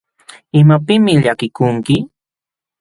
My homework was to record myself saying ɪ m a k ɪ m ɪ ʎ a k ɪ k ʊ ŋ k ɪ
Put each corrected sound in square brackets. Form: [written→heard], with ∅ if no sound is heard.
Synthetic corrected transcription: ɪ m a [k→p] ɪ m ɪ ʎ a k ɪ k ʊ ŋ k ɪ

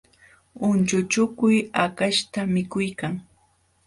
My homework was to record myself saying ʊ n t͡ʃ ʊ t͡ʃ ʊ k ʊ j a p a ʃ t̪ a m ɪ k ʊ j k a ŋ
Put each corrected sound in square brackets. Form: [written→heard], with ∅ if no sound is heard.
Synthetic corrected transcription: ʊ n t͡ʃ ʊ t͡ʃ ʊ k ʊ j a [p→k] a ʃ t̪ a m ɪ k ʊ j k a ŋ

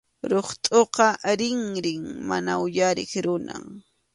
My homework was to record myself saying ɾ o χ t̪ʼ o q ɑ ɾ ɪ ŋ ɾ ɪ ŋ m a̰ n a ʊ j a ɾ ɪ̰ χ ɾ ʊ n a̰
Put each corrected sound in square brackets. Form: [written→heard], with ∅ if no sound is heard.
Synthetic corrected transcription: ɾ o χ t̪ʼ o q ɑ ɾ ɪ ŋ ɾ ɪ ŋ m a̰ n a ʊ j a ɾ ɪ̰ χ ɾ ʊ n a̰

